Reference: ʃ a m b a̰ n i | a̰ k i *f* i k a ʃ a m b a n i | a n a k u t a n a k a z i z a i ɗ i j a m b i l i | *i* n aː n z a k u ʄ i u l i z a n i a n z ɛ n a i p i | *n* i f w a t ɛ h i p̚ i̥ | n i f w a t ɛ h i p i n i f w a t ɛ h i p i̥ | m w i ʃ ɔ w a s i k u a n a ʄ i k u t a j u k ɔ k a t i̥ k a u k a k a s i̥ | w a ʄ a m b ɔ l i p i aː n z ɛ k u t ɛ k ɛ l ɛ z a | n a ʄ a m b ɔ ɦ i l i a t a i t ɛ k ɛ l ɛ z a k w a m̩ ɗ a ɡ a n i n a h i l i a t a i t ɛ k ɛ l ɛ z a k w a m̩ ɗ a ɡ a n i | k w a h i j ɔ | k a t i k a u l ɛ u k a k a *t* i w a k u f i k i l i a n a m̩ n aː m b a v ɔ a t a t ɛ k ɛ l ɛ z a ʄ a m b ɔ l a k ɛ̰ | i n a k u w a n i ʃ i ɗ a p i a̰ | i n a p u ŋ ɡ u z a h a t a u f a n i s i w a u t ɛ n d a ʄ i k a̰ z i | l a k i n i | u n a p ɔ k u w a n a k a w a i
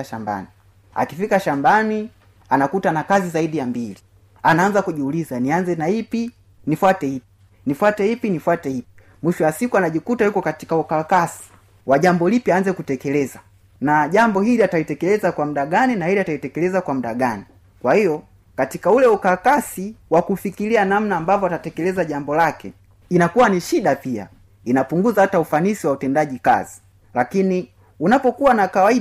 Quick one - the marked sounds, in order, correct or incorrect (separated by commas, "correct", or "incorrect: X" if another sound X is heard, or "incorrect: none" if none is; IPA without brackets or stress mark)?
correct, incorrect: a, correct, incorrect: s